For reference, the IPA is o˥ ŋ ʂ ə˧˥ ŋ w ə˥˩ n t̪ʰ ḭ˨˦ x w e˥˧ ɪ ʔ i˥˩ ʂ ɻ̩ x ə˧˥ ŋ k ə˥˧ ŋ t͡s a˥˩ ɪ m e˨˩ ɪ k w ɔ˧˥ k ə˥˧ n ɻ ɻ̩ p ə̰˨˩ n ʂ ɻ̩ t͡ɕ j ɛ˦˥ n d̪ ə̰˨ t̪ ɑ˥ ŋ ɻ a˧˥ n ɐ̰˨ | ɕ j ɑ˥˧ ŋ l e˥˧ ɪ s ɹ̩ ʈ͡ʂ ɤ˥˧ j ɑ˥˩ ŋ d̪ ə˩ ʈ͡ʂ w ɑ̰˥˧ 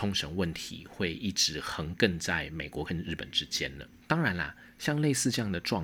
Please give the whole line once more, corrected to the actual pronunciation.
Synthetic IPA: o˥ ŋ ʂ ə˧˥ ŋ w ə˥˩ n t̪ʰ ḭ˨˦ x w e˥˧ ɪ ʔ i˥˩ ʈ͡ʂ ɻ̩ x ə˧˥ ŋ k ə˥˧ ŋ t͡s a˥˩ ɪ m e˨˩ ɪ k w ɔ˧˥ k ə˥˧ n ɻ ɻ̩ p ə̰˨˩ n ʈ͡ʂ ɻ̩ t͡ɕ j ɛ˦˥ n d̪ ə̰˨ t̪ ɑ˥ ŋ ɻ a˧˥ n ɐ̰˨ | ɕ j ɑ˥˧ ŋ l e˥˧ ɪ s ɹ̩ ʈ͡ʂ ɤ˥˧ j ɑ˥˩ ŋ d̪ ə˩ ʈ͡ʂ w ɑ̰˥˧